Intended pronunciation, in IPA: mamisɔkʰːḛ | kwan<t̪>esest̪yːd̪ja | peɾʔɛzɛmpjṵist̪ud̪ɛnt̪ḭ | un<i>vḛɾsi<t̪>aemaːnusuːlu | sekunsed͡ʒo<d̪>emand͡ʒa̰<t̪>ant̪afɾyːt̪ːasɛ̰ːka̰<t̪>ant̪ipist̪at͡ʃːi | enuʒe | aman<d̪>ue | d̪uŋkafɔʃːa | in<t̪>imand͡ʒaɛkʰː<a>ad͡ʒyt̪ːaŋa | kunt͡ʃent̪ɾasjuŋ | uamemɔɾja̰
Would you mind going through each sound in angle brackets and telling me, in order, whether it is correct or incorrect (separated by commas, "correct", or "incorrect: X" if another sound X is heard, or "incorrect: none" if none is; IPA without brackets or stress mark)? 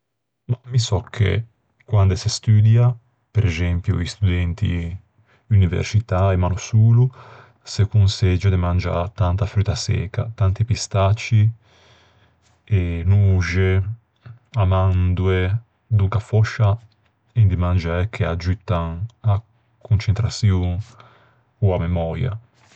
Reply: incorrect: d̪, correct, correct, correct, correct, correct, correct, incorrect: d̪, incorrect: e